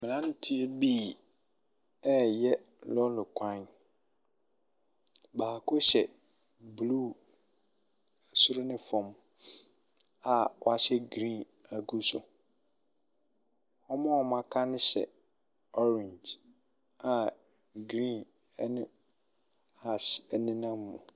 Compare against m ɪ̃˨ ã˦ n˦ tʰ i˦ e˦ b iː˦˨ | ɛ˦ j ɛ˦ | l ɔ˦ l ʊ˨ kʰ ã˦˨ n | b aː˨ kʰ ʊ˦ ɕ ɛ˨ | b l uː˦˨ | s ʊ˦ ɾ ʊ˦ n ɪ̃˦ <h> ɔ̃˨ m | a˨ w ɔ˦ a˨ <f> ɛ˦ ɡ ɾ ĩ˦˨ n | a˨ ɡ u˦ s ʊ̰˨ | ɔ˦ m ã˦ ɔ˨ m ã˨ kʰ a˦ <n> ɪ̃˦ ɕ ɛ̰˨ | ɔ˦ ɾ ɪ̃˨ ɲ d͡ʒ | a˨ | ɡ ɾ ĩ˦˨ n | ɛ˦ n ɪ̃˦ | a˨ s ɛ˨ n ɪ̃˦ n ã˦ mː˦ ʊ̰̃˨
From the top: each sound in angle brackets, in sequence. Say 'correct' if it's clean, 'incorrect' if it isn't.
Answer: incorrect: f, incorrect: ɕ, correct

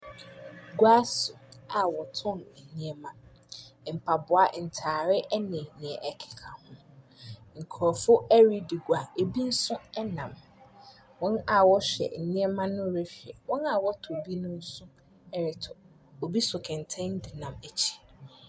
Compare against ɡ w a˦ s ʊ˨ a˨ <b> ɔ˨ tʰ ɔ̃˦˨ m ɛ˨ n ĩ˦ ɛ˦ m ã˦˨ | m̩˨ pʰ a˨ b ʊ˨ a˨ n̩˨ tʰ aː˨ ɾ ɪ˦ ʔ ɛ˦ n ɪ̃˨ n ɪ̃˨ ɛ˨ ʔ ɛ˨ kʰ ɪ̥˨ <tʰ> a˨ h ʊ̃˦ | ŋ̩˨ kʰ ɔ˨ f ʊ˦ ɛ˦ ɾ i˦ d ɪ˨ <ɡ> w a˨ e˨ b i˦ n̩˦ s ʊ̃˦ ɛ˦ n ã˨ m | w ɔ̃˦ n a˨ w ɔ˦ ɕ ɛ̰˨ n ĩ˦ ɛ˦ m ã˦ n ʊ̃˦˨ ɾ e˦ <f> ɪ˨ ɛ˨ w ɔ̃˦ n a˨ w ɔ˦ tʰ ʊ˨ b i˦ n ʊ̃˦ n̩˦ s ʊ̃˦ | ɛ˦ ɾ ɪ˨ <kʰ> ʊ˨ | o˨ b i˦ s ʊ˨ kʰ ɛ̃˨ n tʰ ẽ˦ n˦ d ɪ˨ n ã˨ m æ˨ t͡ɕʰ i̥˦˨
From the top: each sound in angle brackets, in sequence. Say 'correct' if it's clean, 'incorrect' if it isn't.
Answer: incorrect: w, incorrect: kʰ, correct, correct, incorrect: tʰ

